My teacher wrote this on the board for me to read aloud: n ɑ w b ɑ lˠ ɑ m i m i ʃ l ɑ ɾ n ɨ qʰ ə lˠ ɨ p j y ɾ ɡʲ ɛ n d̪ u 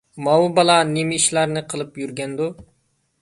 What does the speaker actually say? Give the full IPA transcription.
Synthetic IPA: m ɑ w b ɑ lˠ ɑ n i m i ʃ l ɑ ɾ n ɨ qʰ ə lˠ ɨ p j y ɾ ɡʲ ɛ n d̪ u